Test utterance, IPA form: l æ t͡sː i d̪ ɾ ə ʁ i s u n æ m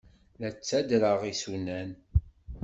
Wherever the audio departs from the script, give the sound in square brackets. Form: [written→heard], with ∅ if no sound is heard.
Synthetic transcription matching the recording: l æ t͡sː [i→æ] d̪ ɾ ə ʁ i s u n æ [m→n]